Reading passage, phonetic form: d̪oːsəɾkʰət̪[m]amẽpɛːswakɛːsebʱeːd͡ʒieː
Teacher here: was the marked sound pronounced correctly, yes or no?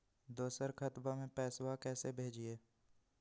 no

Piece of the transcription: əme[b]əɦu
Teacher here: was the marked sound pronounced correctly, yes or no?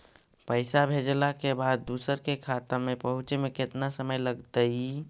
no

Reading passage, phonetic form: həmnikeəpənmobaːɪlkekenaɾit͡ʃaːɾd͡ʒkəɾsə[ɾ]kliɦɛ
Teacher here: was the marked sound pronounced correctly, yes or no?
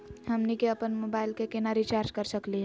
no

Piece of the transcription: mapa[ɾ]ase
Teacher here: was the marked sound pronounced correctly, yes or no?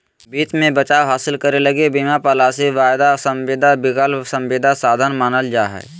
no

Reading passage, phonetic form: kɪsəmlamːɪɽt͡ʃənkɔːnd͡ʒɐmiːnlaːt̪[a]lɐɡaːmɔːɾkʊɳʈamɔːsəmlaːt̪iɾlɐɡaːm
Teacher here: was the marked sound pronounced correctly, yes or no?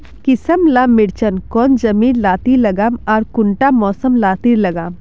no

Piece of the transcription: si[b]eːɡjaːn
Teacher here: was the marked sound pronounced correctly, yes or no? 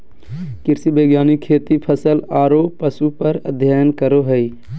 yes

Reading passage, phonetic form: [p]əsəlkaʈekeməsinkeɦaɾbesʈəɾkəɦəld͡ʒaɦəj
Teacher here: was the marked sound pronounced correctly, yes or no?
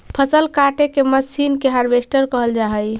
no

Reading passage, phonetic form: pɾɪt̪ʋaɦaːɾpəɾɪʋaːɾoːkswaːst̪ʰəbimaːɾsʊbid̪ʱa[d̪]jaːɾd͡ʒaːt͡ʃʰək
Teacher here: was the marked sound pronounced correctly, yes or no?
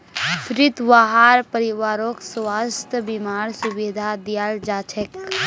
yes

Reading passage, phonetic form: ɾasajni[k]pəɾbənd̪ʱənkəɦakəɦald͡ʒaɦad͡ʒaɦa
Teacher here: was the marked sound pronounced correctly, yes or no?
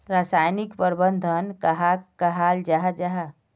yes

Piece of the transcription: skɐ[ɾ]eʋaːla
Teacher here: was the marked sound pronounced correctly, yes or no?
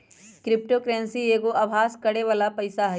no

